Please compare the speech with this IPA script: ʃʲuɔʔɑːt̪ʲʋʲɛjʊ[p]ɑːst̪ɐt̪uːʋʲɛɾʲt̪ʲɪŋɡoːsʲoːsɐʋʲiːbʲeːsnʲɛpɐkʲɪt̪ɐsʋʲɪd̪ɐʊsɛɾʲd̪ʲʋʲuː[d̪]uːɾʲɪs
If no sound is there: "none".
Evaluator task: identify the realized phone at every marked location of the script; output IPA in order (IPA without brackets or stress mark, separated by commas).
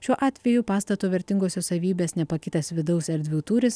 p, t̪